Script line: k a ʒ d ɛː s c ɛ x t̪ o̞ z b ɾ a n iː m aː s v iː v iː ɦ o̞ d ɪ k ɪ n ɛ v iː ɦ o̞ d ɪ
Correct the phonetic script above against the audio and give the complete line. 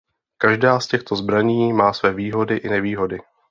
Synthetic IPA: k a ʒ d aː s c ɛ x t̪ o̞ z b ɾ a ɲ iː m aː s v ɛː v iː ɦ o̞ d ɪ ʔ ɪ n ɛ v iː ɦ o̞ d ɪ